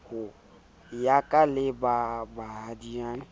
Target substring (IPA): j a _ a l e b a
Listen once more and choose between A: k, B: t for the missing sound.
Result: A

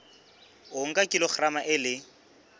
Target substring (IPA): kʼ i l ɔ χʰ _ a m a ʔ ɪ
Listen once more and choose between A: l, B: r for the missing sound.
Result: B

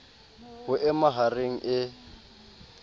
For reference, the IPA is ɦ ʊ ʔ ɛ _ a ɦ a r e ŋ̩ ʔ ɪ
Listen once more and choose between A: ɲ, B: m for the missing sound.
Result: B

